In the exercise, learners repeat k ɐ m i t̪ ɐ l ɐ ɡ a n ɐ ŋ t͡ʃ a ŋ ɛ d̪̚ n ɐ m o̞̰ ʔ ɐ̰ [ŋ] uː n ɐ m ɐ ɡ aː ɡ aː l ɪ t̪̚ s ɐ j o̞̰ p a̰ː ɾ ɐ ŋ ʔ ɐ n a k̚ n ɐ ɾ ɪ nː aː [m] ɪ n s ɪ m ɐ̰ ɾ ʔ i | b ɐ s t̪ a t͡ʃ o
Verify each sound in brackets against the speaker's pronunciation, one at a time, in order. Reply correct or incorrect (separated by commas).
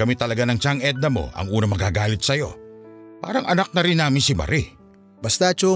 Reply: correct, correct